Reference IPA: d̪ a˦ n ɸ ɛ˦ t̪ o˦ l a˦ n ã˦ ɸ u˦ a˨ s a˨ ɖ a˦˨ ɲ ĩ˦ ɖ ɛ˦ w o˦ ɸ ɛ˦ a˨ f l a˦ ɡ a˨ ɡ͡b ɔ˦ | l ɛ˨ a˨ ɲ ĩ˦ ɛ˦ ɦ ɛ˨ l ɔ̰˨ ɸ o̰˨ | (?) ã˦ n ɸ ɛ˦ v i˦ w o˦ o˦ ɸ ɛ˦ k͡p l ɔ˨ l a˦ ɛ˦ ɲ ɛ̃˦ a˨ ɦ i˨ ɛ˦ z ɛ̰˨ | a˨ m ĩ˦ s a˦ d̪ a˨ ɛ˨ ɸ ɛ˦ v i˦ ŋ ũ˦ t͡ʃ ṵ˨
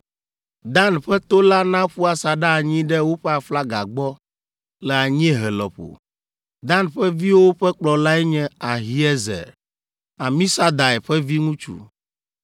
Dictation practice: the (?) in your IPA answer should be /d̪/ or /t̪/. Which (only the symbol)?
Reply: d̪